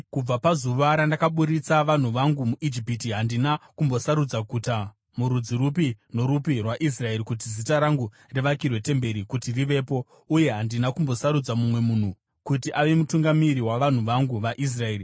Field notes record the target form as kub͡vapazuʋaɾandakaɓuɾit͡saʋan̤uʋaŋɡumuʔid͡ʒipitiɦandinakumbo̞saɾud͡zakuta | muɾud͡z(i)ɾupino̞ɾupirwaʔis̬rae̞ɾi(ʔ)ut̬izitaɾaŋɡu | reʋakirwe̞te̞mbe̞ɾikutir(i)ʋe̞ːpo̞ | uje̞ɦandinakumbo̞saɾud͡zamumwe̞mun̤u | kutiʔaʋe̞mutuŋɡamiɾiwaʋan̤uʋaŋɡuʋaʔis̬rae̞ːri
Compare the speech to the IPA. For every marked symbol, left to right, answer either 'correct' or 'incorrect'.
correct, incorrect: k, correct

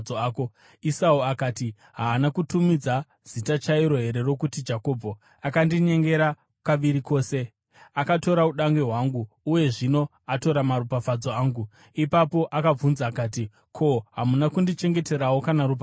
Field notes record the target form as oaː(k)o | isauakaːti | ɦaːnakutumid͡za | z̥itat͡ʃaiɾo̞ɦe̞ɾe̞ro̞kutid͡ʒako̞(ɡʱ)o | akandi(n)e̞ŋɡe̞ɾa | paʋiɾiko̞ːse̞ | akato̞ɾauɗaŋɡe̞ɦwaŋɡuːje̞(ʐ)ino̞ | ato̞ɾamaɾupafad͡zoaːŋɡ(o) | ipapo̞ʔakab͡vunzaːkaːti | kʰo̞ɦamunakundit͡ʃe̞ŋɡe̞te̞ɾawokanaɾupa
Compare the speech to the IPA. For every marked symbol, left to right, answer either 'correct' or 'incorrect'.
correct, incorrect: bʱ, incorrect: ɲ, correct, incorrect: u

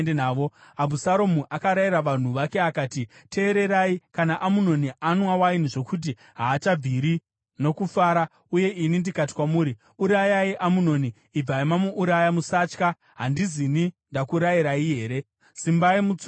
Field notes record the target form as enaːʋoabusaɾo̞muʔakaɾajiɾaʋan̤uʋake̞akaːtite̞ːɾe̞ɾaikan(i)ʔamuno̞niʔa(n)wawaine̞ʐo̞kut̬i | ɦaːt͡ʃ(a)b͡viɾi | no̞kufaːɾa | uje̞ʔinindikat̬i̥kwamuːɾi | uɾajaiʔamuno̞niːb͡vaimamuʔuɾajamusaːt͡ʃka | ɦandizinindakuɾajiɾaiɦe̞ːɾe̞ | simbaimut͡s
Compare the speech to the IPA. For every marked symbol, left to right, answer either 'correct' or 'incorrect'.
incorrect: a, correct, correct

